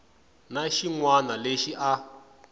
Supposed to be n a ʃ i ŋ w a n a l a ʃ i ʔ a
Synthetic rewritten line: n a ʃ i ŋ w a n a l e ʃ i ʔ a